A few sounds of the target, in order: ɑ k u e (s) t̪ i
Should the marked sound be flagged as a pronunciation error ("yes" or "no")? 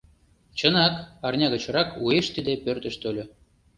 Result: yes